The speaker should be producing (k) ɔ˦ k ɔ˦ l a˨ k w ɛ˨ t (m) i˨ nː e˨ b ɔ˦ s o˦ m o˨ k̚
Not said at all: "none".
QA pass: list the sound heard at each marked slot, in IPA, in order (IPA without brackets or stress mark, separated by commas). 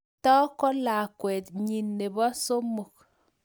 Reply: t, ɲ